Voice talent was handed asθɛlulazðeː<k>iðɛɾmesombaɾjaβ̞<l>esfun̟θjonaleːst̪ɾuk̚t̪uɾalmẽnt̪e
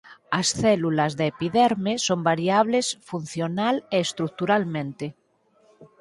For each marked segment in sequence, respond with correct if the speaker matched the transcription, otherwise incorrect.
incorrect, correct

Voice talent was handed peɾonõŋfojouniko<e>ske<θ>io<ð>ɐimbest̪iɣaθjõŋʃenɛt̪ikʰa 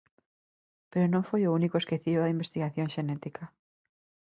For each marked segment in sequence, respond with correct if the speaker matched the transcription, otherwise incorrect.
correct, correct, correct

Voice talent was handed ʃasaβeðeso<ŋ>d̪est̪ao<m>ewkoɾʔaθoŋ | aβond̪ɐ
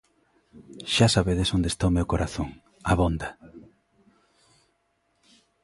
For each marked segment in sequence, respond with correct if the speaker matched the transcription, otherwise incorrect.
incorrect, correct

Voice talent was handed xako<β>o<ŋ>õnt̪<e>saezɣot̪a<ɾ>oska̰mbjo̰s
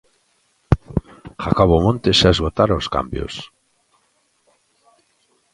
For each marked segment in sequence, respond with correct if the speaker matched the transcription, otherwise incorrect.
correct, incorrect, correct, correct

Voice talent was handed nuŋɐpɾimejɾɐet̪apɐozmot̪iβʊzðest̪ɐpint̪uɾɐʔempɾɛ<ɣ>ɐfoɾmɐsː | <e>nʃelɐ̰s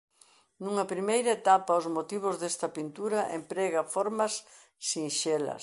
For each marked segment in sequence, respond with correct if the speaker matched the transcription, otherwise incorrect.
correct, incorrect

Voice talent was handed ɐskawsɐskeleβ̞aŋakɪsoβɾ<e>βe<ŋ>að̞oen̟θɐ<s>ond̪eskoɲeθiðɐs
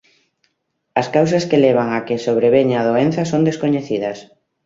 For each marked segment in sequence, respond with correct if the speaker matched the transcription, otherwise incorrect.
correct, incorrect, correct

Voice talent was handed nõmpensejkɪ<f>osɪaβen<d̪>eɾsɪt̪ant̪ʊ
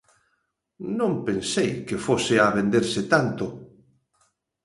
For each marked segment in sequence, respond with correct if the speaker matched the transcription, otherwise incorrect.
correct, correct

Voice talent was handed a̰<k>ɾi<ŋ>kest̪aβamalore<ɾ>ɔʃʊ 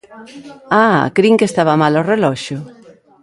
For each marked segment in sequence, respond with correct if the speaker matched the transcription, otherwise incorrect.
correct, correct, incorrect

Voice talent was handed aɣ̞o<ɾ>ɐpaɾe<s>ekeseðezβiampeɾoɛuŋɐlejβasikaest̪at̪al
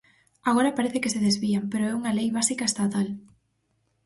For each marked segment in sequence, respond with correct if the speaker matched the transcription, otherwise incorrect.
correct, incorrect

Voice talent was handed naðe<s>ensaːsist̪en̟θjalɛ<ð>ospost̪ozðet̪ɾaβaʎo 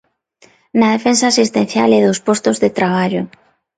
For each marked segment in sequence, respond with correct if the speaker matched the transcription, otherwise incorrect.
incorrect, correct

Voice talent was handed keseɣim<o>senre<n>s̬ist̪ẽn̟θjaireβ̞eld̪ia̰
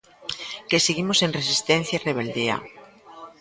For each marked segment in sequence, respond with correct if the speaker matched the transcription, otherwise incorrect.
correct, incorrect

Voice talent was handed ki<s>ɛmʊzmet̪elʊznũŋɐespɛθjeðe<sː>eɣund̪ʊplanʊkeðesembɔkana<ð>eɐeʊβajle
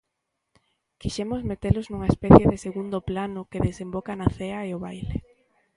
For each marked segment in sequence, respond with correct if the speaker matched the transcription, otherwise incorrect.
incorrect, incorrect, incorrect

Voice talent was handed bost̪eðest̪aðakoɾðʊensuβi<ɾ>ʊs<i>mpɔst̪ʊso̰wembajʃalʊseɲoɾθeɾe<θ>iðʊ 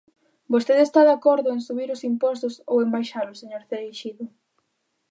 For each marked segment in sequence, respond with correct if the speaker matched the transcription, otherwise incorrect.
correct, correct, incorrect

